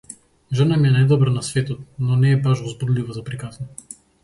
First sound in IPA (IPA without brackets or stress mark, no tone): ʒ